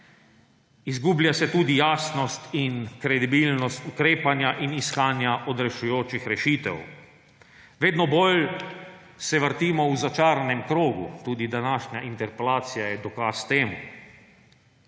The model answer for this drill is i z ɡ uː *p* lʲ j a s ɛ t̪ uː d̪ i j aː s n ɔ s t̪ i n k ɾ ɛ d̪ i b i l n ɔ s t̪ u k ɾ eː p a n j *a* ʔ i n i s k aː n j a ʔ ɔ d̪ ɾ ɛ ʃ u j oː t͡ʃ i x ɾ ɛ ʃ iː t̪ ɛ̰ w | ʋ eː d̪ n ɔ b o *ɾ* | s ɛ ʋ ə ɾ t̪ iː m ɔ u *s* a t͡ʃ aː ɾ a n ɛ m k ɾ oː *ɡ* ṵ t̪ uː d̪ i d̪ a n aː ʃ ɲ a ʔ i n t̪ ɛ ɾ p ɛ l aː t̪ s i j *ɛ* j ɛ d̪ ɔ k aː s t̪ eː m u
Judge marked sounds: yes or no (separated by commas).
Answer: no, yes, no, no, yes, no